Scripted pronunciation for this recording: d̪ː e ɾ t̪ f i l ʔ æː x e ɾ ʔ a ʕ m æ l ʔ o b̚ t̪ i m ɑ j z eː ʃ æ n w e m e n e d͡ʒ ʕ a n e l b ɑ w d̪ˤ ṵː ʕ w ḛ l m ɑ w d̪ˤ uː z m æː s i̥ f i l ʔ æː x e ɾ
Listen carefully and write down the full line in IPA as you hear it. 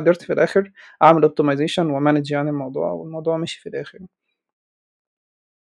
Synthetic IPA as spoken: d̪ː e ɾ t̪ f i l ʔ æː x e ɾ ʔ a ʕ m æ l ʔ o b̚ t̪ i m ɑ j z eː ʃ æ n w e m æ n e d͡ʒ ʕ a n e l m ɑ w d̪ˤ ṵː ʕ w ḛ l m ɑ w d̪ˤ uː ʕ m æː ʃ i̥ f i l ʔ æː x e ɾ